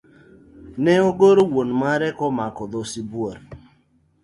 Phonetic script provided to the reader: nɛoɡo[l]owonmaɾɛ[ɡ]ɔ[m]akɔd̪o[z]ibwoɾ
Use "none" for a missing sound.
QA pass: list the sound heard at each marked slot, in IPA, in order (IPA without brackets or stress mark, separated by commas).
ɾ, k, m, s